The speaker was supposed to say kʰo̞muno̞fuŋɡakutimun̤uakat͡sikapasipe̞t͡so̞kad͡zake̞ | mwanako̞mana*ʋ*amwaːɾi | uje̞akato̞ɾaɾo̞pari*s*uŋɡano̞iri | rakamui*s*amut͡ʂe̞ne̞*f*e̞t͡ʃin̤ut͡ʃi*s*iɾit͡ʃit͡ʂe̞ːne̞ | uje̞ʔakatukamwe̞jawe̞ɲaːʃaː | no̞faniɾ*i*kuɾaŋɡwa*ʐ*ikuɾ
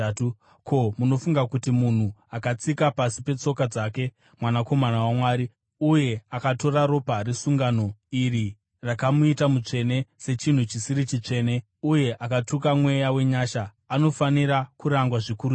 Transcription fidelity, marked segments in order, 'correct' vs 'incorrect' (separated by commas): incorrect, correct, incorrect, incorrect, correct, incorrect, correct